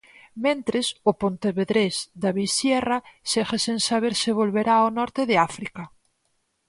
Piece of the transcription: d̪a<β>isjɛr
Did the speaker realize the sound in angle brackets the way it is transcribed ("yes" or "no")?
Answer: yes